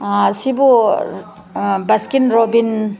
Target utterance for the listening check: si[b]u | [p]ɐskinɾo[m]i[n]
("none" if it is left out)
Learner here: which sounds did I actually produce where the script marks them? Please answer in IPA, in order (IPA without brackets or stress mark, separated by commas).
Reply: b, b, b, n